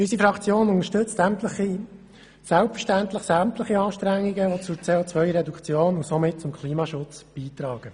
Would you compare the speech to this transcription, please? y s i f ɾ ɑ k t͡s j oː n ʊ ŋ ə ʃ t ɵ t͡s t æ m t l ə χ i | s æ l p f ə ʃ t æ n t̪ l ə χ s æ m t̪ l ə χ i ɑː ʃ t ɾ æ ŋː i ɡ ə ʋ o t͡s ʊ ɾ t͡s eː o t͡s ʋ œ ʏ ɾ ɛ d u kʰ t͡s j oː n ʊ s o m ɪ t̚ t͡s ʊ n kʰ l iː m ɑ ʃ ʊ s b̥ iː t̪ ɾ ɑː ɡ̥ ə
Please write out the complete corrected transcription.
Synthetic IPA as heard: y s i f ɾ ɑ k t͡s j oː n ʊ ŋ ə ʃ t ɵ t͡s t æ m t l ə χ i | s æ l p f ə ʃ t æ n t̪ l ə χ s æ m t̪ l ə χ i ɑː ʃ t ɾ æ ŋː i ɡ ə ʋ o t͡s ʊ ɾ t͡s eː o t͡s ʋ œ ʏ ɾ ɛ d u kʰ t͡s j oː n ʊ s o m ɪ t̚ t͡s ʊ m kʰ l iː m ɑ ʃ ʊ t͡s b̥ iː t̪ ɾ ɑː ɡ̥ ə